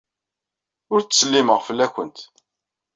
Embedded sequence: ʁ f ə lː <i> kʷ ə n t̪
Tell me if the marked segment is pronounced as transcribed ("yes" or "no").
no